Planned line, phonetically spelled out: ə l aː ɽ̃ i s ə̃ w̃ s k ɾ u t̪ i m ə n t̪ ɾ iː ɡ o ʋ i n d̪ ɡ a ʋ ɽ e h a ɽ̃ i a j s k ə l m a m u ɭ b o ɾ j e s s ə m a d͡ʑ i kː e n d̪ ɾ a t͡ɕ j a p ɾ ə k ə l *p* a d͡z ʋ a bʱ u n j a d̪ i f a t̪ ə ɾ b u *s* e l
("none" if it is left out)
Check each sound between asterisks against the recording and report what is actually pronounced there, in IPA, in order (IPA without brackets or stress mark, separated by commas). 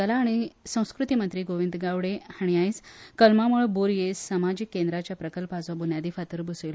p, s